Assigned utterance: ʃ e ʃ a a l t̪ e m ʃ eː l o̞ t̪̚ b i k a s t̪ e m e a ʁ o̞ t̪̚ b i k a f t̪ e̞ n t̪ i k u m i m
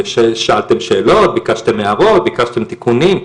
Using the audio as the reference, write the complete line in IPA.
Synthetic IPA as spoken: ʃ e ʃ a a l t̪ e m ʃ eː l o̞ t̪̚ b i k a ʃ t̪ e m e a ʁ o̞ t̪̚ b i k a ʃ t̪ e̞ m t̪ i k u n i m